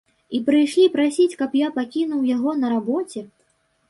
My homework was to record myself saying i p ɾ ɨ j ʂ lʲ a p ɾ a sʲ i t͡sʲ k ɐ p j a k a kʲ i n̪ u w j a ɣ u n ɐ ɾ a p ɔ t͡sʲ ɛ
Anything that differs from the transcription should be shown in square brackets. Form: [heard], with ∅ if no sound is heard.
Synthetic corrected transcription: i p ɾ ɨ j ʂ lʲ [i] p ɾ a sʲ i t͡sʲ k ɐ p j a [p] a kʲ i n̪ u w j a ɣ [ɔ] n ɐ ɾ a [b] ɔ t͡sʲ ɛ